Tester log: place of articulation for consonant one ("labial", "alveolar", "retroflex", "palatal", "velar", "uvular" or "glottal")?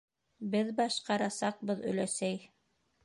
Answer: labial